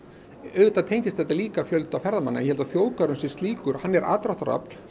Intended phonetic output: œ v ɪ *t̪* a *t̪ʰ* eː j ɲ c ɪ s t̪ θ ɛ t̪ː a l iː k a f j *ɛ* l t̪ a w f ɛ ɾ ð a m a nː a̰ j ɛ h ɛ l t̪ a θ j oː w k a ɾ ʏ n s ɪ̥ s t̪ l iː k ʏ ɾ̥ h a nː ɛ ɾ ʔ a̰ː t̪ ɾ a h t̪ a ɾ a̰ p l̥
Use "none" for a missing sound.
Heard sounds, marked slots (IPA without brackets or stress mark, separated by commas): t̪, t̪ʰ, œ